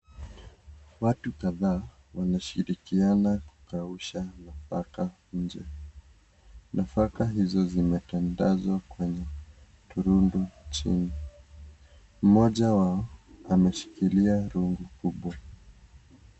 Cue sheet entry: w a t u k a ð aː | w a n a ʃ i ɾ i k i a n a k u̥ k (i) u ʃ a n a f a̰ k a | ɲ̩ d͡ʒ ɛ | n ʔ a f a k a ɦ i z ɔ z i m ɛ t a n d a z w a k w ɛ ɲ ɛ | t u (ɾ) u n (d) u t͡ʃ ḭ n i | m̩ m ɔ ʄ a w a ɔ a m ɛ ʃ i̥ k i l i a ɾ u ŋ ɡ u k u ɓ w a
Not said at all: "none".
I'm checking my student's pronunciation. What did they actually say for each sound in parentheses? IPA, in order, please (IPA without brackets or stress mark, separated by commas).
a, ɾ, d